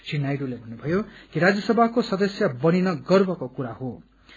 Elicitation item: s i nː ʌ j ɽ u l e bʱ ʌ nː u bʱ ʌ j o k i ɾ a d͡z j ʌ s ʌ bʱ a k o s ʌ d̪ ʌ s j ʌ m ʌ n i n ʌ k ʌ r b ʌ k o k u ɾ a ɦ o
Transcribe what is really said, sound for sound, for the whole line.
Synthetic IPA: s i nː a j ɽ u l e bʱ ʌ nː u bʱ ʌ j o k i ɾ a d͡z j ʌ s ʌ bʱ a k o s ʌ d̪ ʌ s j ʌ b ʌ n i n ʌ ɡ ʌ r b ʌ k o k u ɾ a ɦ o